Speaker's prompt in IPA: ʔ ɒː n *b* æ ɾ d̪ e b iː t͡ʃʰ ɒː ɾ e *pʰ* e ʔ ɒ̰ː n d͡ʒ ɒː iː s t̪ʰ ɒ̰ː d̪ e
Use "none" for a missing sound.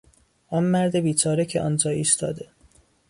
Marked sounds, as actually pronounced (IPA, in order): m, cʰ

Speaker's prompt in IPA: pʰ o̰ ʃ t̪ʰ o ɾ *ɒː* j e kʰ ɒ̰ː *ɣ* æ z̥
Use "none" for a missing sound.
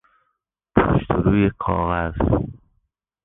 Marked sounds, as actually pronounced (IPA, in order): uː, ɣ

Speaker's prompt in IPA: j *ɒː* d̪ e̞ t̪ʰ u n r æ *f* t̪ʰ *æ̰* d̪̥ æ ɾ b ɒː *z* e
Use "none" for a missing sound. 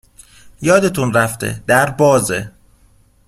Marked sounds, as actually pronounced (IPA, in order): ɒː, f, ḛ, z

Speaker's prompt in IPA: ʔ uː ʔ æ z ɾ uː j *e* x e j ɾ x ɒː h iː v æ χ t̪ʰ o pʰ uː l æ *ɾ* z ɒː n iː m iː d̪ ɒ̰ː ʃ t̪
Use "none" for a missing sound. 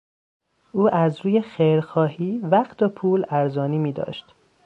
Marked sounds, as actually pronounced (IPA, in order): e, ɾ

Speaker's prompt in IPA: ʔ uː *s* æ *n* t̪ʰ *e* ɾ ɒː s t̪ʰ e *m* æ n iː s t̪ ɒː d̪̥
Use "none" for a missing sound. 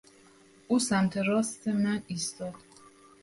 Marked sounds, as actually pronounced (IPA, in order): s, m, e, m

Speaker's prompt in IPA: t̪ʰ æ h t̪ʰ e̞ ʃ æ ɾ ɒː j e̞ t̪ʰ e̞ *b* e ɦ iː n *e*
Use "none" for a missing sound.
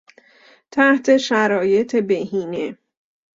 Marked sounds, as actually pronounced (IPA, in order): b, e

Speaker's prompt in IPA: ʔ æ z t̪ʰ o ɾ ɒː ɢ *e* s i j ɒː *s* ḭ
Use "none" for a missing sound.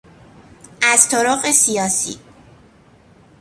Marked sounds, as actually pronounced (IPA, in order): e, s

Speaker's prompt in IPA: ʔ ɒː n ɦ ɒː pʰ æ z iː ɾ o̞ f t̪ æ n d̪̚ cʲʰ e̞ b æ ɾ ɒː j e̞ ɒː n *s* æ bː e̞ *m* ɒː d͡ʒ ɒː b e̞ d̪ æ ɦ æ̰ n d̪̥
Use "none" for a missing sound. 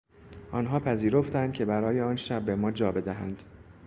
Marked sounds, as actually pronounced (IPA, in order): ʃ, m

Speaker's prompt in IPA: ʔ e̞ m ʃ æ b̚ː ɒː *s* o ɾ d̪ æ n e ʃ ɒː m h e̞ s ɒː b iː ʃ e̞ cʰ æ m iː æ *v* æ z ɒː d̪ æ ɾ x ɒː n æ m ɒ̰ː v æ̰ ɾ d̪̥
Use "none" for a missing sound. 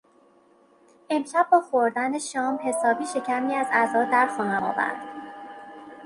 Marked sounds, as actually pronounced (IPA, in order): x, z

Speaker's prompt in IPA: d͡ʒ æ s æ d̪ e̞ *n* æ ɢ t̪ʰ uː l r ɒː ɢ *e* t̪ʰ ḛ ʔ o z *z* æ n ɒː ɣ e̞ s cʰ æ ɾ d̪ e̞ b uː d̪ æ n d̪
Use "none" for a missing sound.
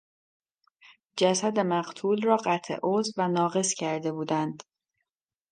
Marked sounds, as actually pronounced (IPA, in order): m, æ, v

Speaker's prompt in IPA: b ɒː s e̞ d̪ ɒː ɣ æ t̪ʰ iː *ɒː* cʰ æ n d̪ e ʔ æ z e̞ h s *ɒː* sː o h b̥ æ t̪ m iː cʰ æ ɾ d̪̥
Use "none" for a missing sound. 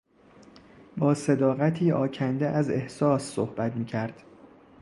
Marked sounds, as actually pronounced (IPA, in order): ɒː, ɒː

